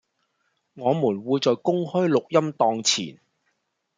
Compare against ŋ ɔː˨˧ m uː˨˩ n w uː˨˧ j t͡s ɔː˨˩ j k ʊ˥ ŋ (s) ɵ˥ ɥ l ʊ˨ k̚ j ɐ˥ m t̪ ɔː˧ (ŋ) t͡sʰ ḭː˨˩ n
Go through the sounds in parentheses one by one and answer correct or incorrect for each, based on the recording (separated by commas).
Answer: incorrect, correct